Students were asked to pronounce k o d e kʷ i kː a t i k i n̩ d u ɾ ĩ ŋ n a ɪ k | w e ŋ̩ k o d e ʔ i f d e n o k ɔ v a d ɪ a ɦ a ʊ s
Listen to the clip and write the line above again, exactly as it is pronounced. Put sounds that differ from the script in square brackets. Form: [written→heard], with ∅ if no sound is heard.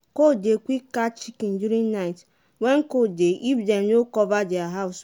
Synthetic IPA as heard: k o d e kʷ i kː a [t→t͡ʃ] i k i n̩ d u ɾ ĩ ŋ n a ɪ [k→t] | w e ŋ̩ k o d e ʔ i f d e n o k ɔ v a d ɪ a ɦ a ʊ s